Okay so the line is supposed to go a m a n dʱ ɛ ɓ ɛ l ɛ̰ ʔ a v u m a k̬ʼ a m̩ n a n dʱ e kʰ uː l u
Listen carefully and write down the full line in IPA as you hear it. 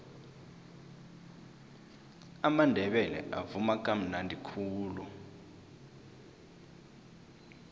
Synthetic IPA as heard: a m a n dʱ ɛ ɓ ɛ l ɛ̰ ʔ a v u m a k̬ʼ a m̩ n a n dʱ i kʰ uː l u